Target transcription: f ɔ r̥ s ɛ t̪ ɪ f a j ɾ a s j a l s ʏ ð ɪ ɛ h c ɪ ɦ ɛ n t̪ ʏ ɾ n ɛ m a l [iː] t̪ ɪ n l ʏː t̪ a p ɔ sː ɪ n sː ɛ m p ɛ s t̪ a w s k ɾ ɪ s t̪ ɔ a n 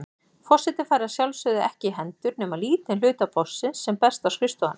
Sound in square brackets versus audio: correct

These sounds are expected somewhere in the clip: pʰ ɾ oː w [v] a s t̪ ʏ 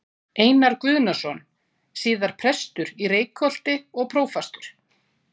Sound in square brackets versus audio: incorrect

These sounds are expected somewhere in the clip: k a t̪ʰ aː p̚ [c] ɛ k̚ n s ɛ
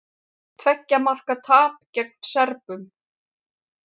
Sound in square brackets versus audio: correct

